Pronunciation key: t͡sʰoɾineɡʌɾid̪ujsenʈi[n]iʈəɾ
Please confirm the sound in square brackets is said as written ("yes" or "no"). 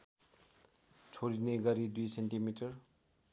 no